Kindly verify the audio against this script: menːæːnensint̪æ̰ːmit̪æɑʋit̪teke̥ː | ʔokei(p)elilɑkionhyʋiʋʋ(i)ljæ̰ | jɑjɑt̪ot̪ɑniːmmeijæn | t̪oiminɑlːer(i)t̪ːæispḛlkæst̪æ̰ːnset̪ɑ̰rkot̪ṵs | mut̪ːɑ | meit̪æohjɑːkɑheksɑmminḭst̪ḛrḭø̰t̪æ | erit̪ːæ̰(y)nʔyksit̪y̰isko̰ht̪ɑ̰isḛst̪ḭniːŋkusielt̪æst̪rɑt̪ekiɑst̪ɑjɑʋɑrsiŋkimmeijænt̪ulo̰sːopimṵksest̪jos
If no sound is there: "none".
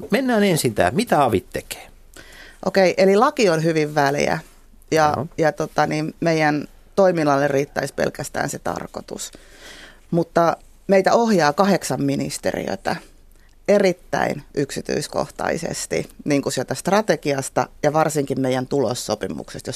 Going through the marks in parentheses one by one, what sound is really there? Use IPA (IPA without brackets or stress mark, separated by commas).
ʔ, æ, iː, i